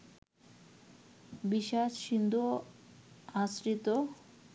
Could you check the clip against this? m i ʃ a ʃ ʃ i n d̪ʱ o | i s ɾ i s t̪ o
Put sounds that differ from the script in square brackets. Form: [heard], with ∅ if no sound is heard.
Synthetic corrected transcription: [b] i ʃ a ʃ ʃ i n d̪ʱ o | [a] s ɾ i [∅] t̪ o